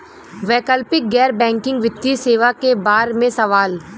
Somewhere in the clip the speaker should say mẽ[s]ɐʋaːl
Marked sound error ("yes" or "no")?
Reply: no